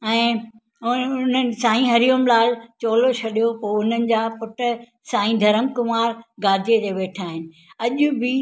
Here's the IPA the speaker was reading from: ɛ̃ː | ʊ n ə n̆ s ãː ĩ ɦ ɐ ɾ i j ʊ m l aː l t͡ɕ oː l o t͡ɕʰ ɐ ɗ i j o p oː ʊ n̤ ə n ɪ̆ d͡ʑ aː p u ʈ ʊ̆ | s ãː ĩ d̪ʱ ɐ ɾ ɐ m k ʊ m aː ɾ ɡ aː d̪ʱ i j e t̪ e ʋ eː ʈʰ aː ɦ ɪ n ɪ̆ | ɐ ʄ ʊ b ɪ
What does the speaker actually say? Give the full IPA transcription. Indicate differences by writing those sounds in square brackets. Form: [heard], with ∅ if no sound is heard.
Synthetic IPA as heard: ɛ̃ː | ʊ n ə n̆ s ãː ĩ ɦ ɐ ɾ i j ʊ m l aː l t͡ɕ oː l o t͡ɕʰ ɐ ɗ i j o p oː ʊ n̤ ə n ɪ̆ d͡ʑ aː p [ʊ] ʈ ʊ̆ | s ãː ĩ d̪ʱ ɐ ɾ [ə] m k ʊ m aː ɾ ɡ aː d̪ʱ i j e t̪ e ʋ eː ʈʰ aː ɦ ɪ n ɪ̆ | ɐ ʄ ʊ b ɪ